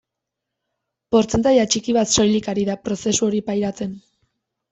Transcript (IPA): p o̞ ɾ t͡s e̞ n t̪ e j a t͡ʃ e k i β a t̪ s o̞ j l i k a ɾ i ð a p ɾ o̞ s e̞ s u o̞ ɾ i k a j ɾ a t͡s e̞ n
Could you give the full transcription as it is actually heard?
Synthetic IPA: p o̞ ɾ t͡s e̞ n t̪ a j a t͡ʃ i k i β a t̪ s o̞ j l i k a ɾ i ð a p ɾ o̞ s e̞ s u o̞ ɾ i p a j ɾ a t͡s e̞ n

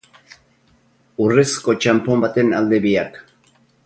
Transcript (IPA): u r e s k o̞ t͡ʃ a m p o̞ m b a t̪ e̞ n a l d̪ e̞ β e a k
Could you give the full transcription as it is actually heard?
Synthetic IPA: u r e s k o̞ t͡ʃ a m p o̞ m b a t̪ e̞ n a l d̪ e̞ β i a k

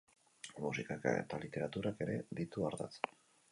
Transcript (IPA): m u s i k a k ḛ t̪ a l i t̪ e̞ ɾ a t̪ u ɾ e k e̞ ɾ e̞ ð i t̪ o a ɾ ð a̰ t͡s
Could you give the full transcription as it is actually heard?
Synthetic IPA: m u s i k a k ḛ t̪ a l i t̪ e̞ ɾ a t̪ u ɾ a k e̞ ɾ e̞ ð i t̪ u a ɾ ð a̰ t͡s

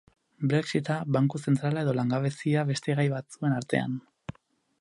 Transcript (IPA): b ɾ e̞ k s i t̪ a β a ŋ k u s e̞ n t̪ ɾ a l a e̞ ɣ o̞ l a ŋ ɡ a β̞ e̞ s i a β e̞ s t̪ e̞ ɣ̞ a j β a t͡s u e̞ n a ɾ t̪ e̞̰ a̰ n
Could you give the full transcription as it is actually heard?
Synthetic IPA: b ɾ e̞ k s i t̪ a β a ŋ k u s e̞ n t̪ ɾ a l a e̞ ð o̞ l a ŋ ɡ a β̞ e̞ s i a β e̞ s t̪ e̞ ɣ̞ a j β a t͡s u e̞ n a ɾ t̪ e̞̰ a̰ n

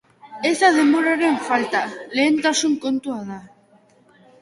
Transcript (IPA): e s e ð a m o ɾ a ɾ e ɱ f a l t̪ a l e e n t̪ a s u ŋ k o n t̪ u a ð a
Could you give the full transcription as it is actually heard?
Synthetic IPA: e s a ð e m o ɾ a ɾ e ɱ f a l t̪ a l e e n t̪ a s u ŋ k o n t̪ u a ð a

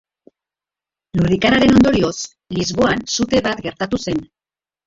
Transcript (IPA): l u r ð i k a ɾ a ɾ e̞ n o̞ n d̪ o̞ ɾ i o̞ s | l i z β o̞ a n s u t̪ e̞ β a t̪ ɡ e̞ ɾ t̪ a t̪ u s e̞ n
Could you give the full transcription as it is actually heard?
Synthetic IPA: l u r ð i k a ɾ a ɾ e̞ n o̞ n d̪ o̞ ɾ i o̞ s | l i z β o̞ a n s u t̪ e̞ β a t̪ ɡ e̞ ɾ t̪ a t̪ u s e̞ n

